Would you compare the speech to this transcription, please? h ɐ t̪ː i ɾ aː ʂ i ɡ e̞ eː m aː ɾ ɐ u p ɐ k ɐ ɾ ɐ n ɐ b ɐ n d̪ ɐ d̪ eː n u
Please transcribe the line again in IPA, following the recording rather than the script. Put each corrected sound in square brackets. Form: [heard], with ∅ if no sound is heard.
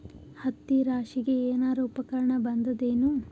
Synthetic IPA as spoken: h ɐ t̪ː i ɾ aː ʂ i ɡ e̞ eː [n] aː ɾ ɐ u p ɐ k ɐ ɾ ɐ [ɳ] ɐ b ɐ n d̪ ɐ d̪ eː n u